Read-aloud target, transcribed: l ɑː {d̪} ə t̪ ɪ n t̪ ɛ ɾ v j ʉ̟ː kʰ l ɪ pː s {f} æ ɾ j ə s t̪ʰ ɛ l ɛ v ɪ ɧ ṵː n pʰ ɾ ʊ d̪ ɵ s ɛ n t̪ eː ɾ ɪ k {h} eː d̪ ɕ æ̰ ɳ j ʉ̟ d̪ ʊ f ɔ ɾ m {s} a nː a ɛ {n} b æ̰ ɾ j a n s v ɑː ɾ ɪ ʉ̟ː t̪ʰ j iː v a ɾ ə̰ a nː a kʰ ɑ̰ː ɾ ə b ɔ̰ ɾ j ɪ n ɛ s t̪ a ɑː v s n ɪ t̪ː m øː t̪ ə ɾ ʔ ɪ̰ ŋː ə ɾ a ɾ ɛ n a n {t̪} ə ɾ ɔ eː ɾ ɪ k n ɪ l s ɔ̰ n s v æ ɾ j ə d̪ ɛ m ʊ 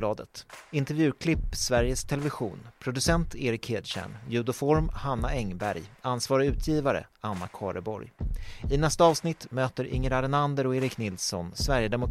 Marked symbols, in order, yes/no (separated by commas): yes, no, yes, no, no, no